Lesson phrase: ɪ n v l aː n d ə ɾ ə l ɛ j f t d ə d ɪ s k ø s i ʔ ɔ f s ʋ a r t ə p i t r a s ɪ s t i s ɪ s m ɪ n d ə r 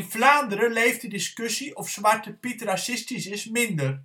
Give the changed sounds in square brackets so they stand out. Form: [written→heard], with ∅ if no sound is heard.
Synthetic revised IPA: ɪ n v l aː n d ə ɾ ə l [ɛ→e] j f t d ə d ɪ s k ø s i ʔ ɔ f s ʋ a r t ə p i t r a s ɪ s t i s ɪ s m ɪ n d ə r